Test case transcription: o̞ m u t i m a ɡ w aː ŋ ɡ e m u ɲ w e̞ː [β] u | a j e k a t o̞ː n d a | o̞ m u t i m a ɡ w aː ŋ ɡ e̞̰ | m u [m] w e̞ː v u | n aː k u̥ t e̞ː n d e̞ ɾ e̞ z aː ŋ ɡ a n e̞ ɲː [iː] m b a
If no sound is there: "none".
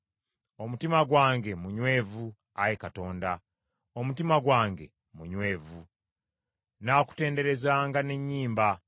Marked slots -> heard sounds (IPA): v, ɲ, iː

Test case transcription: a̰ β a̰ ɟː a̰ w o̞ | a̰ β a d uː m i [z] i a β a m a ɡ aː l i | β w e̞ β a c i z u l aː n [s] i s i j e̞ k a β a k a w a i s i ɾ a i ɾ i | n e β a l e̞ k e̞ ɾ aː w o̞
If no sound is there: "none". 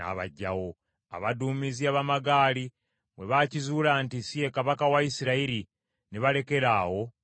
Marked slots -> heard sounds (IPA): z, t

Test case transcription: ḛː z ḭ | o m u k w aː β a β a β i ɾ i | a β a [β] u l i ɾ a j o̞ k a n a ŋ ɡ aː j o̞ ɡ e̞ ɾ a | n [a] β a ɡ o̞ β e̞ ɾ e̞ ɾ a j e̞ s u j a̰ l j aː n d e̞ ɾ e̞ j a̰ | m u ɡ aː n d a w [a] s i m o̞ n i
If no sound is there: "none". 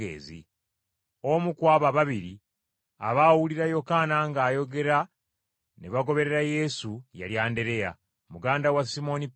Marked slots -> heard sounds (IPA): w, e, a

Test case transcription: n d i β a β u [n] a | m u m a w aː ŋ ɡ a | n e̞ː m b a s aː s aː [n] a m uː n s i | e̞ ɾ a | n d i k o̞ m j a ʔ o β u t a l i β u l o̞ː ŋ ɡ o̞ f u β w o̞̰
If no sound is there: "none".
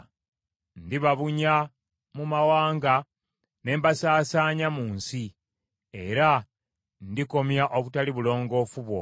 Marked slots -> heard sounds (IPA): ɲ, ɲ

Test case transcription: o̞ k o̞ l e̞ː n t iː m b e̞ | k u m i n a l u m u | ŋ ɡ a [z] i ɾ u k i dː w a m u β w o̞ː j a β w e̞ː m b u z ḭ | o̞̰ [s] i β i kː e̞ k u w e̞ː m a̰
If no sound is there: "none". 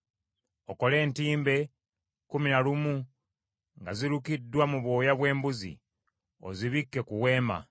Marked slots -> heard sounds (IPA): z, z

